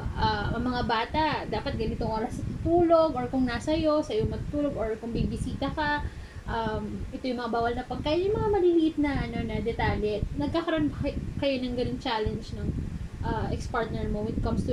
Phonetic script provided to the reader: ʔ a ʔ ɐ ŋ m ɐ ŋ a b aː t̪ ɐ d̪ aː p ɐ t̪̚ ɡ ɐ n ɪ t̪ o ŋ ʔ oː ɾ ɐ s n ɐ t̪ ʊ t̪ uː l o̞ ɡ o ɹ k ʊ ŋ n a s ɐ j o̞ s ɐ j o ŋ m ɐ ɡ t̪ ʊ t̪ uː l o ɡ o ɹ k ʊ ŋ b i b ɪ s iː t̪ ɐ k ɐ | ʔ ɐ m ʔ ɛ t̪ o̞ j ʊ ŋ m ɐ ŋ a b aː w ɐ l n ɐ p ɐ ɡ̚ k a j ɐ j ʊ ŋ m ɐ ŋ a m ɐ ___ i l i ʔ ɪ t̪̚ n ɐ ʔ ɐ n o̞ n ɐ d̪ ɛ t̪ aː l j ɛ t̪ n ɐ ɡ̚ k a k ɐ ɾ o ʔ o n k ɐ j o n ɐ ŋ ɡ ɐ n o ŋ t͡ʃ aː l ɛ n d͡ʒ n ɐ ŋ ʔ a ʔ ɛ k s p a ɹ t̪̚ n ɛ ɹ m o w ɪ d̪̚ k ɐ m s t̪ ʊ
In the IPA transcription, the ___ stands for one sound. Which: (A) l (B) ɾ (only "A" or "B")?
A